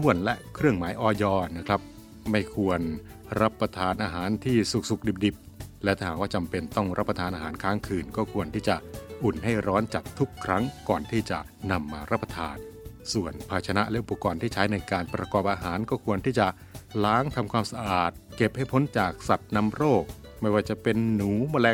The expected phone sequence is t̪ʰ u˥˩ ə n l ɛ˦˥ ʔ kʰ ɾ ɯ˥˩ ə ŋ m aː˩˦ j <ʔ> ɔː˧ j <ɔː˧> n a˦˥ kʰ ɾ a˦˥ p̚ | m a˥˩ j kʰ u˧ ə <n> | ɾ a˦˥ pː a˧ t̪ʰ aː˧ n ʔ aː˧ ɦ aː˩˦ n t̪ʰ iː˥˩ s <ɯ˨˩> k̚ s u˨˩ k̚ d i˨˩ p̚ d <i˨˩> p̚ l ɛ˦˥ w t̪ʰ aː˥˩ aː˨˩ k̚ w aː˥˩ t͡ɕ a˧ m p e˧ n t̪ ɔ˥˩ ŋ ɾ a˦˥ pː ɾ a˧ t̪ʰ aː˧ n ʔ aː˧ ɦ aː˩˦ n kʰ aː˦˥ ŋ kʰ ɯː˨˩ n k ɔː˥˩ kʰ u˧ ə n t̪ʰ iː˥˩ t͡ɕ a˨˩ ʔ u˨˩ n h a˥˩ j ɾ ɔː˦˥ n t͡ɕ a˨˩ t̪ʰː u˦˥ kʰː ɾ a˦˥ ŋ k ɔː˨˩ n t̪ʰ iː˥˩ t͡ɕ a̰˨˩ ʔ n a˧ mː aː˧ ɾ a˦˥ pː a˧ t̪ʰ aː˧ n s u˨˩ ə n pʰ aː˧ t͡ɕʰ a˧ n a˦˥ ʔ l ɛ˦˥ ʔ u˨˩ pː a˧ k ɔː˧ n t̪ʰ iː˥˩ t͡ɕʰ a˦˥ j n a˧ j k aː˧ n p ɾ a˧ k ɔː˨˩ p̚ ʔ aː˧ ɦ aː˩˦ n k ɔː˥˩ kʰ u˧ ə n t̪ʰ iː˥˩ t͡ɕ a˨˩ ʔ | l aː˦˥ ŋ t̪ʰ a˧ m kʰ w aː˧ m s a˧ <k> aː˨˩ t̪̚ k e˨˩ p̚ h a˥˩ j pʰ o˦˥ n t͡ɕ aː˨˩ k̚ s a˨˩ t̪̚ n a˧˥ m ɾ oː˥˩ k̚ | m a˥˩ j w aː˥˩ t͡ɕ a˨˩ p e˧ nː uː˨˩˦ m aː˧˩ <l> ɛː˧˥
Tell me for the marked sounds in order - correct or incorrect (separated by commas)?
correct, correct, correct, incorrect, correct, incorrect, correct